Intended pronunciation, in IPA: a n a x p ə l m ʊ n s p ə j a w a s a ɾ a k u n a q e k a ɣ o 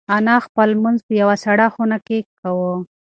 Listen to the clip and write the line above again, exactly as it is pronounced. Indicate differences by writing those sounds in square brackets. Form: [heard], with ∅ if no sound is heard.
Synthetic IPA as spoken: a n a x p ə l m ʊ n [z] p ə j a w a s a [ɽ] a [x] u n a [k] e k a [w] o